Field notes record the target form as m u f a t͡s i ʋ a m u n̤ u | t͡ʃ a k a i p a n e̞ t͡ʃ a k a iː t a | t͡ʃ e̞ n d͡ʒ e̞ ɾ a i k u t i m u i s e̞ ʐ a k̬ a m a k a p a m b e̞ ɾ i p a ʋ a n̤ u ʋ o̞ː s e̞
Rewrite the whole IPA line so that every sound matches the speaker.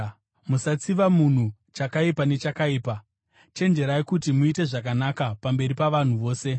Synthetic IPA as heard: m u s a t͡s i ʋ a m u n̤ u | t͡ʃ a k a i p a n e̞ t͡ʃ a k a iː p a | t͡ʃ e̞ n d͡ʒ e̞ ɾ a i k u t i m u i t e̞ ʐ a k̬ a n a k a p a m b e̞ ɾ i p a ʋ a n̤ u ʋ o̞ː s e̞